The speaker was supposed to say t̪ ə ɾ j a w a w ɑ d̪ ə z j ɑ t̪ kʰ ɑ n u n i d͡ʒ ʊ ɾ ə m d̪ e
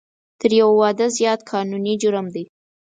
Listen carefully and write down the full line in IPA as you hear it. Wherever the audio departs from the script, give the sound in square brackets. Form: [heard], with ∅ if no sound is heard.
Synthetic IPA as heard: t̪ ə ɾ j a w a w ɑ d̪ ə z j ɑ t̪ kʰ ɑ n u n i d͡ʒ ʊ ɾ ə m d̪ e